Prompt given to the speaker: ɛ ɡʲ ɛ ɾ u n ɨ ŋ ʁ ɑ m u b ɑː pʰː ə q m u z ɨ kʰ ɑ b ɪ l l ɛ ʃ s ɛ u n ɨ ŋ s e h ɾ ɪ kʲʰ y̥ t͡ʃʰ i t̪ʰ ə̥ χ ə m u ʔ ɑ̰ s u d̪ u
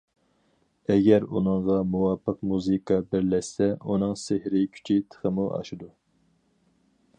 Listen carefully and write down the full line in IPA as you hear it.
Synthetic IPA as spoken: ɛ ɡʲ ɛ ɾ u n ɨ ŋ ʁ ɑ m u w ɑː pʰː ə q m u z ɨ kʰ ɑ b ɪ ɾ l ɛ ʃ s ɛ u n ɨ ŋ s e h ɾ ɪ kʲʰ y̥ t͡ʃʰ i t̪ʰ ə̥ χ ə m u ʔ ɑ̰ ʃ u d̪ u